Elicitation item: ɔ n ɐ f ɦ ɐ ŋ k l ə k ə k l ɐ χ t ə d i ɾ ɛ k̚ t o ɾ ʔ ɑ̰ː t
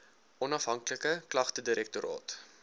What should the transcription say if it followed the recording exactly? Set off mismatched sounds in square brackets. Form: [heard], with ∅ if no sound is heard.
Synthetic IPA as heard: ɔ n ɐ f ɦ ɐ ŋ k l ə k ə k l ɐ χ t ə d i ɾ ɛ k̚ t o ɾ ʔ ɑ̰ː t